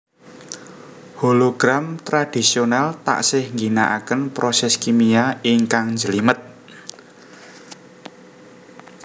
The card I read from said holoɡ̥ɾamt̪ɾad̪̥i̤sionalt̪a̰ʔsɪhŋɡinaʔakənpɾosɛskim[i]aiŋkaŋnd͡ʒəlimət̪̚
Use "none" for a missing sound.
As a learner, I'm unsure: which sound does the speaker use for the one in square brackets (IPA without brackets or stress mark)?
i